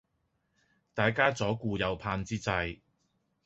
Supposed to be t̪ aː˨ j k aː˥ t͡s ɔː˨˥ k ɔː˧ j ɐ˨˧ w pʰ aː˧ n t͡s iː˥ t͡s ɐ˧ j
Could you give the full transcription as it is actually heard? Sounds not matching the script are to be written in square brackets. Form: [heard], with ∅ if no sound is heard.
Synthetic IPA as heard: t̪ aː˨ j k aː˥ t͡s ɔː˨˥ k [uː˧] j ɐ˨˧ w pʰ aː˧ n t͡s iː˥ t͡s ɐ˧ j